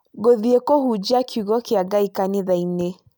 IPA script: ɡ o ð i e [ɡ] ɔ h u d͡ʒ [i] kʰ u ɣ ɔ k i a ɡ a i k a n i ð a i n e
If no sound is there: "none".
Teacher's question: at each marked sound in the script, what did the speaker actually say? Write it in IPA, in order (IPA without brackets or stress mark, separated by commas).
k, a